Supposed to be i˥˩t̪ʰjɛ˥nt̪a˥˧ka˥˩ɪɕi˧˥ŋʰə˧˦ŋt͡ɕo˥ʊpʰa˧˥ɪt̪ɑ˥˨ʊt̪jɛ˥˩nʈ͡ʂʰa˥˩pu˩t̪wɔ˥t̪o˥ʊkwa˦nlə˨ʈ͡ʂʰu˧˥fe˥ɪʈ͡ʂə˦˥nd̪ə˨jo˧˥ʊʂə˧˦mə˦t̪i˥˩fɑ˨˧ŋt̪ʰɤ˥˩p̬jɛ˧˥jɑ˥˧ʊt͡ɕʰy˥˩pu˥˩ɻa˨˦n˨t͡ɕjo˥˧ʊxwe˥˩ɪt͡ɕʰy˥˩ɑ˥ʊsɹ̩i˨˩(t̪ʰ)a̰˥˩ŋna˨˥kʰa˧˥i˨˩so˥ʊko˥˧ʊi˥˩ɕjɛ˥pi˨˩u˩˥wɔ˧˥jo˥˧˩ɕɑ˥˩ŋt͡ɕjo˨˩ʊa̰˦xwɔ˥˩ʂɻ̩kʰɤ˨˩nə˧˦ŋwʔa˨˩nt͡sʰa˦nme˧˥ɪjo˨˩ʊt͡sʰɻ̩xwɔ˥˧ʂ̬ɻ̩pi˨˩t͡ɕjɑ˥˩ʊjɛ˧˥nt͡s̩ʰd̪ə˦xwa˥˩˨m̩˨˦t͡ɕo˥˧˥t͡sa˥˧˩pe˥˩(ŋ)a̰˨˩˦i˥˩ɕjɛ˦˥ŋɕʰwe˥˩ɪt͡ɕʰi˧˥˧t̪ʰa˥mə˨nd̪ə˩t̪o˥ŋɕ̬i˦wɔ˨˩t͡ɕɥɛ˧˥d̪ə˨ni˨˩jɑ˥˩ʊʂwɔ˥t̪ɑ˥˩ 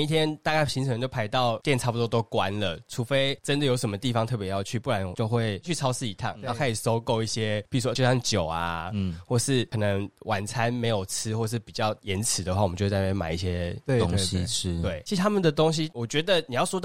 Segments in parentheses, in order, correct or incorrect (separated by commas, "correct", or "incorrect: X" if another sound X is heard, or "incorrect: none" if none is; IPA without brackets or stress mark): correct, incorrect: m